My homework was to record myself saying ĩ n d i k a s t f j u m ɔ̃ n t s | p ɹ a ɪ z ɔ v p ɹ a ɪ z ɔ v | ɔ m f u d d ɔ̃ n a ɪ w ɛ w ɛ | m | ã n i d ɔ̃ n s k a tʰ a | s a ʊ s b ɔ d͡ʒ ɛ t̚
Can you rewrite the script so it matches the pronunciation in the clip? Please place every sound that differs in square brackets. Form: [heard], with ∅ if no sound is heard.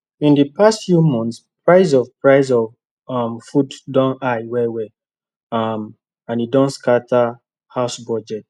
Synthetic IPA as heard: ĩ n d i [p] a s t f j u m ɔ̃ n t s | p ɹ a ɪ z ɔ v p ɹ a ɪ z ɔ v | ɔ m f u d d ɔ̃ n a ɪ w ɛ w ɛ | m | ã n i d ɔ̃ n s k a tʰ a | [h] a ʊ s b ɔ d͡ʒ ɛ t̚